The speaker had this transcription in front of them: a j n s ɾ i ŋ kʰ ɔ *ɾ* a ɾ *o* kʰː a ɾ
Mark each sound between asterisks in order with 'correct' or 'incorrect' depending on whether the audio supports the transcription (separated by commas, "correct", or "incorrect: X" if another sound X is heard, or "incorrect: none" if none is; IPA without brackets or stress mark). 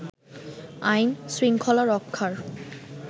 incorrect: l, incorrect: ɔ